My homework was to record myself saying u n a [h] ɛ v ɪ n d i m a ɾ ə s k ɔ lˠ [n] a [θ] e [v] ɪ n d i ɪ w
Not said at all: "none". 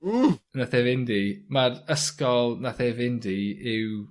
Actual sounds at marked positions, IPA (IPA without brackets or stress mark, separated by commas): θ, n, θ, v